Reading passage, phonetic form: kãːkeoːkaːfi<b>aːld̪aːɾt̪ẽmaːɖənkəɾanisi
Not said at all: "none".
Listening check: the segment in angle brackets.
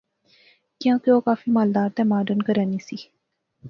m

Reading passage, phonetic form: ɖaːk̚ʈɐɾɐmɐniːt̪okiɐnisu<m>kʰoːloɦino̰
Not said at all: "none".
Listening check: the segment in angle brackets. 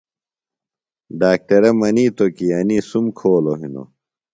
m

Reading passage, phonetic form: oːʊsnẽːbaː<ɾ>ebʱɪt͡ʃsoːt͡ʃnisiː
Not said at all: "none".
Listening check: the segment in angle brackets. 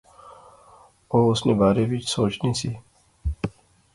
ɾ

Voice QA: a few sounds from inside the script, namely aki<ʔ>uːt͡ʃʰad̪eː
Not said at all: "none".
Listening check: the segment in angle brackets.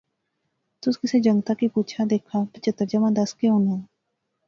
p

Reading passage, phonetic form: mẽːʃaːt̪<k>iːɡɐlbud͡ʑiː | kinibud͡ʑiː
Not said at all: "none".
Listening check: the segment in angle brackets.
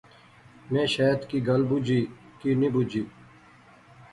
k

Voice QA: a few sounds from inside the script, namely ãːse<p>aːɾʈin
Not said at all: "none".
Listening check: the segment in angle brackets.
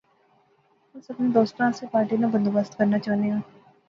p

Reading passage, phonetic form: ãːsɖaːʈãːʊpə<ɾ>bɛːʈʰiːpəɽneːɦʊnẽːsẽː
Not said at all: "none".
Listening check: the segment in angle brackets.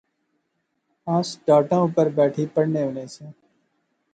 ɾ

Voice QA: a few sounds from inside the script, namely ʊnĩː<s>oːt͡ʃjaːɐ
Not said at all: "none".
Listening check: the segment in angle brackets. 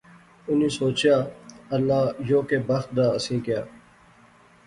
s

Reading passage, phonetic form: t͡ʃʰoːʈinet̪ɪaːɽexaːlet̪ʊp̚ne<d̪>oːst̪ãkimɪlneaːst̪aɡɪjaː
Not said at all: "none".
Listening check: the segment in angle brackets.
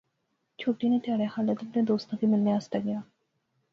d̪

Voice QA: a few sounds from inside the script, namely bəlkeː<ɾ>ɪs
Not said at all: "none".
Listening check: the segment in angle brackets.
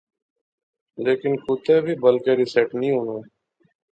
ɾ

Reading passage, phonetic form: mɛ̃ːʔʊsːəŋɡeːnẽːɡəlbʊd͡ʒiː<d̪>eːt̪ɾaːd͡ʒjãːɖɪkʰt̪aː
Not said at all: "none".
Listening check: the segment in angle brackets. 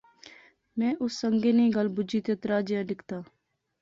t̪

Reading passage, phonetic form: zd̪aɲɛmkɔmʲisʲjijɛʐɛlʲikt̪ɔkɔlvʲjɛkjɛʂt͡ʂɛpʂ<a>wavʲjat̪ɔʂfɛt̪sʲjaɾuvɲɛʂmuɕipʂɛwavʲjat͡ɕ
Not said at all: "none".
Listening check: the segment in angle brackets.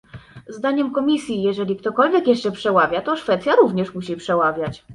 ɛ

